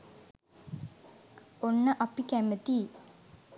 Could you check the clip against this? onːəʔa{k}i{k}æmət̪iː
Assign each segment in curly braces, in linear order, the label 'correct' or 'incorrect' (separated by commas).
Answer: incorrect, correct